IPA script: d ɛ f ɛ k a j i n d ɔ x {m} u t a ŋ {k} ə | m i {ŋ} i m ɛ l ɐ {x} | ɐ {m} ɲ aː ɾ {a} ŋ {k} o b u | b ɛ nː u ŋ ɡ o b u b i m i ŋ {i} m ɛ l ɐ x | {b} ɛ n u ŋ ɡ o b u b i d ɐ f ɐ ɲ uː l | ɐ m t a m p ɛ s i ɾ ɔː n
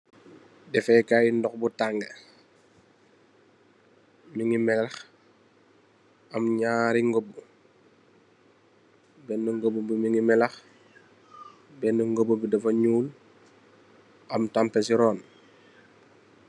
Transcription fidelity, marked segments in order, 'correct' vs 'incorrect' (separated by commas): incorrect, incorrect, correct, correct, correct, incorrect, incorrect, correct, correct